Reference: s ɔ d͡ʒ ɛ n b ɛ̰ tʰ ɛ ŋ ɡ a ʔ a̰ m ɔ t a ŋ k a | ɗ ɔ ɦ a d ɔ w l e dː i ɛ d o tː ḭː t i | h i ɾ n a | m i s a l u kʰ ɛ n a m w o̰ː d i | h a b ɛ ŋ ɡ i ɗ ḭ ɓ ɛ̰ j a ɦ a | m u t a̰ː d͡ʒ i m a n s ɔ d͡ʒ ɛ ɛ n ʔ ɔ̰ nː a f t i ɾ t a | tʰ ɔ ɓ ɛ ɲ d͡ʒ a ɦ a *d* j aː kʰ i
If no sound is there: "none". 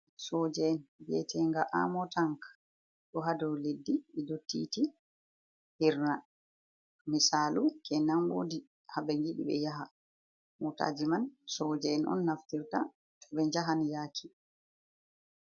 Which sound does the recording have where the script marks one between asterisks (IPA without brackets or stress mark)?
n